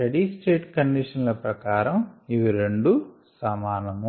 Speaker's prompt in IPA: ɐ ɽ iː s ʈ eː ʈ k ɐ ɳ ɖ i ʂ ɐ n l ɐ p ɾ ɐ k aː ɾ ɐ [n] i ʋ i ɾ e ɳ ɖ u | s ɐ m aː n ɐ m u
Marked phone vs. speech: incorrect: m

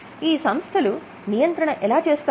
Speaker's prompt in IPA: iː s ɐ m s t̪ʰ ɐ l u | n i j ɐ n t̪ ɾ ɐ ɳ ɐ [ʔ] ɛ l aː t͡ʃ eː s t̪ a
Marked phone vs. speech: correct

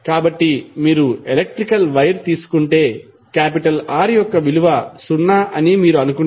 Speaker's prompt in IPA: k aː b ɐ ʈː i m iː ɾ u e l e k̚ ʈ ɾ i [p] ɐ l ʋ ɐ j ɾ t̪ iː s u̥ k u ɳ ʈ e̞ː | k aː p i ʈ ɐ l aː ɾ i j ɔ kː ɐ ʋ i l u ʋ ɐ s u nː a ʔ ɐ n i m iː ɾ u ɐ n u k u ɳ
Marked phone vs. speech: incorrect: k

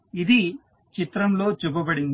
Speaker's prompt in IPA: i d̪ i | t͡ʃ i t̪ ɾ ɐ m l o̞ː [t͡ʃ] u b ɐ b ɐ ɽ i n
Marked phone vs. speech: correct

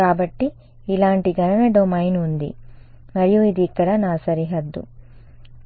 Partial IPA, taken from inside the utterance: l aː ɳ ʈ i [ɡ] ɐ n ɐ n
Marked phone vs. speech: correct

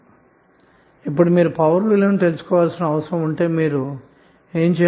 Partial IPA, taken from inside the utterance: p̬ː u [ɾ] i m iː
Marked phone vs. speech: incorrect: ɽ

